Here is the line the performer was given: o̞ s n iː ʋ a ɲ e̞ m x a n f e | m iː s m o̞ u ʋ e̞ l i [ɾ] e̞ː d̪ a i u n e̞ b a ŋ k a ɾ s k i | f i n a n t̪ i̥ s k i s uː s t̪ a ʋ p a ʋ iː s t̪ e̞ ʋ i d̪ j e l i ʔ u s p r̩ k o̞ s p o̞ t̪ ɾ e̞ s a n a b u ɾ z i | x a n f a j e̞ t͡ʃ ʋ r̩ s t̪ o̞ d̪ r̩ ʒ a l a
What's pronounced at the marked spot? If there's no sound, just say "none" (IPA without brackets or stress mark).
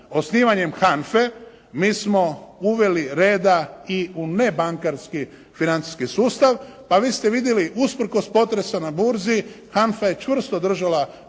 ɾ